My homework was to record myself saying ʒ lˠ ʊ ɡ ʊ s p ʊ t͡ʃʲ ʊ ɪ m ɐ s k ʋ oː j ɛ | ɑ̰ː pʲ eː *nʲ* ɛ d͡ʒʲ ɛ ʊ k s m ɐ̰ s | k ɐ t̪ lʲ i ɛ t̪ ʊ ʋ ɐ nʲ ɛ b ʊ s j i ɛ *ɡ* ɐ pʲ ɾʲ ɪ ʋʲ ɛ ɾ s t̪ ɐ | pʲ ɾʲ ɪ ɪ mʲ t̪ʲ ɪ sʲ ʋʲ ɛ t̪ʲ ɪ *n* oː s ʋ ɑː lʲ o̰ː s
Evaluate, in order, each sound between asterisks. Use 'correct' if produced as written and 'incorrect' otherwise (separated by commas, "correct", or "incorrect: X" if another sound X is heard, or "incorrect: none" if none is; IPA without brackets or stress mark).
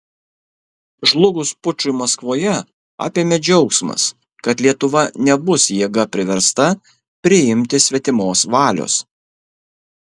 incorrect: mʲ, correct, incorrect: m